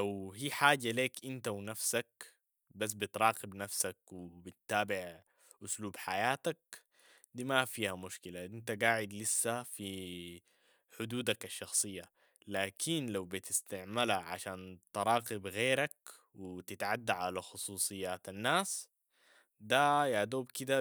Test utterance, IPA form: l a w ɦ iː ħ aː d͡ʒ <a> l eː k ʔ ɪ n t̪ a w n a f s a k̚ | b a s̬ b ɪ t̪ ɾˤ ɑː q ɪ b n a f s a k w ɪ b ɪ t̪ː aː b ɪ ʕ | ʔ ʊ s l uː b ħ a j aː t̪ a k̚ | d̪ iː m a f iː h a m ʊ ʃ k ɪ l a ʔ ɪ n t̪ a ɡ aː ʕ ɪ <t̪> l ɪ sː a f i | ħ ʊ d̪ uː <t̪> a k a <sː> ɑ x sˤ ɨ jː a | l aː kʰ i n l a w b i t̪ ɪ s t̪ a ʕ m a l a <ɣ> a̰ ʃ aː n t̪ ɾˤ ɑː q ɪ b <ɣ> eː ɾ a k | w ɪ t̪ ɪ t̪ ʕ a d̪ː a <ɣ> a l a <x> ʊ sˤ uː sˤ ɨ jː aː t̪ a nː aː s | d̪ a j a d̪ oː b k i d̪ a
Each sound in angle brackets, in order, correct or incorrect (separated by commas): correct, incorrect, incorrect, incorrect, incorrect, correct, incorrect, correct